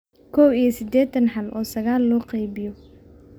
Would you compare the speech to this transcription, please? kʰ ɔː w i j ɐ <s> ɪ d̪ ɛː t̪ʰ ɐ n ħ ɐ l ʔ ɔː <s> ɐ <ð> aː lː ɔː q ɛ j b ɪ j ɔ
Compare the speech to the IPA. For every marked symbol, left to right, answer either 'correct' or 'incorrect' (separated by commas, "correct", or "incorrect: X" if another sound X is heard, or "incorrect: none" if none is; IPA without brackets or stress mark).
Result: correct, correct, incorrect: ɣ